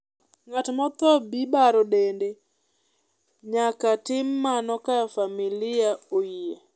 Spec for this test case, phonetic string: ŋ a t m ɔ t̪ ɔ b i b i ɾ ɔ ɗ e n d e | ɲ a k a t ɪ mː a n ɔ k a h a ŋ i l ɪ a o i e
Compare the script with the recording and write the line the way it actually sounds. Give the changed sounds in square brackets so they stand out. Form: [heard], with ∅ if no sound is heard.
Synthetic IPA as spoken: ŋ a t m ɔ t̪ ɔ b i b [a] ɾ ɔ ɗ e n d e | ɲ a k a t ɪ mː a n ɔ k a [f] a [m] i l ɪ a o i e